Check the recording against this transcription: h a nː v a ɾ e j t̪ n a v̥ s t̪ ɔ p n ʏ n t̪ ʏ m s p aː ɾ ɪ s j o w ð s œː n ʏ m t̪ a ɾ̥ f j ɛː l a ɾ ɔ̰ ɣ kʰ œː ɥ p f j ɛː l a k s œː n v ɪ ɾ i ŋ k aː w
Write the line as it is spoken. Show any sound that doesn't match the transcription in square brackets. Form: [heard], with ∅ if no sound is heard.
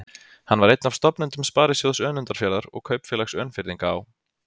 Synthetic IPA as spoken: h a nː v a ɾ e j t̪ n a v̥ s t̪ ɔ p n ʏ n t̪ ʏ m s p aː ɾ ɪ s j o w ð s œː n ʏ [n] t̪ a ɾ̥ f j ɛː l a ɾ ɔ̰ ɣ kʰ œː ɥ p f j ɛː l a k s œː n [f] ɪ ɾ i ŋ k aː w